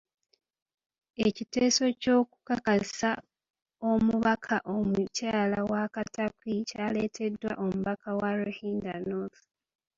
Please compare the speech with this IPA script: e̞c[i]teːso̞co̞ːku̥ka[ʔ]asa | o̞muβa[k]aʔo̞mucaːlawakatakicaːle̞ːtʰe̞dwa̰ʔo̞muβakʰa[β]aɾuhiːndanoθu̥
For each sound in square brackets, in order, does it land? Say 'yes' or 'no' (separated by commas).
yes, no, no, no